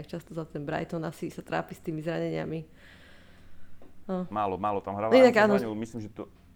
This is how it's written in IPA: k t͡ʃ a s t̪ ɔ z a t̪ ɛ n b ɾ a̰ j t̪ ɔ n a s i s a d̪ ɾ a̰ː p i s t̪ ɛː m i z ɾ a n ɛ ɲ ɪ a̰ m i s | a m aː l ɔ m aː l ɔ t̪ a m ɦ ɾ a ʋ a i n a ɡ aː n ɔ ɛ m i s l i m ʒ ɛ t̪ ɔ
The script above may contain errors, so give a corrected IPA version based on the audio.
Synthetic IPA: k t͡ʃ a s t̪ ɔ z a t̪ ɛ n b ɾ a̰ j t̪ ɔ n a s i s a t̪ ɾ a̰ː p i s t̪ iː m i z ɾ a ɲ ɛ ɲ ɪ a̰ m i | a m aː l ɔ m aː l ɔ t̪ a m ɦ ɾ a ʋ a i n a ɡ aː n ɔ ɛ m i s l i m ʒ ɛ t̪ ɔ